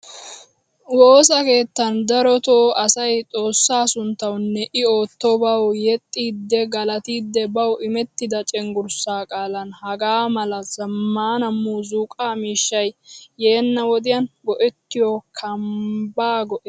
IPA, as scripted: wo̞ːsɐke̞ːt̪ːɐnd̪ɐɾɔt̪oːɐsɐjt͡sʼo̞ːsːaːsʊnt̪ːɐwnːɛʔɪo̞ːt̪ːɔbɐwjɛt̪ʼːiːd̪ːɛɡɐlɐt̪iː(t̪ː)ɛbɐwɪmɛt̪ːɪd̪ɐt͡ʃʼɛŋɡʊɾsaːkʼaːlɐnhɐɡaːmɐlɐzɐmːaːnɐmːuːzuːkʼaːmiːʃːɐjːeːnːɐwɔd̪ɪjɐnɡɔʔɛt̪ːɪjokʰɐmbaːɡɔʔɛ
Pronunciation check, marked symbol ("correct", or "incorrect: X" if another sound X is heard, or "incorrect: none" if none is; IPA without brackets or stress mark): incorrect: d̪ː